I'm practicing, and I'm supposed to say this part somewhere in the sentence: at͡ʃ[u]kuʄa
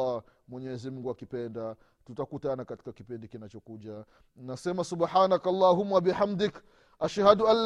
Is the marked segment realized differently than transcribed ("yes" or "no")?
yes